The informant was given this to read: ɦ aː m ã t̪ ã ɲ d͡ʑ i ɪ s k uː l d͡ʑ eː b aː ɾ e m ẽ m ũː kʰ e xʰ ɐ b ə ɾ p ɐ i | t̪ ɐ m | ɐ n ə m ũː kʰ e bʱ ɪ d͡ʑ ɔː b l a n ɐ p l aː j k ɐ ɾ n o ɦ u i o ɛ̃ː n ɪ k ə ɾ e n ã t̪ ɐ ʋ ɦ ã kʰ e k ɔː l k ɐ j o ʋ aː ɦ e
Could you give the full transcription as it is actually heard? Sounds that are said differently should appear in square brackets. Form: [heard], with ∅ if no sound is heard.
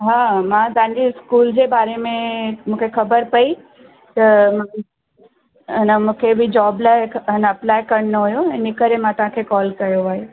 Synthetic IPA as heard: ɦ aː m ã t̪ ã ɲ d͡ʑ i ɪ s k uː l d͡ʑ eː b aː ɾ e m ẽ m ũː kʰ e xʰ ɐ b ə ɾ p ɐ i | t̪ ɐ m | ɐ n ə m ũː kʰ e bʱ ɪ d͡ʑ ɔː b l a n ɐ p l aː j k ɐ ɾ n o ɦ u [j] o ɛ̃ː n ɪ k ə ɾ e [m] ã t̪ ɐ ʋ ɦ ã kʰ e k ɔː l k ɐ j o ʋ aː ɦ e